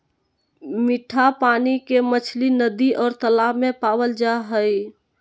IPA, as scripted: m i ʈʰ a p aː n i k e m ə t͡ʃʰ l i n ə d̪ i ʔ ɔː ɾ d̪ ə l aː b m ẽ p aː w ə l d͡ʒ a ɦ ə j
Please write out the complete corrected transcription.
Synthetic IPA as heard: m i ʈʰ a p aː n i k e m ə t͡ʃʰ l i n ə d̪ i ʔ ɔː ɾ t̪ ə l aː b m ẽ p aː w ə l d͡ʒ a ɦ ə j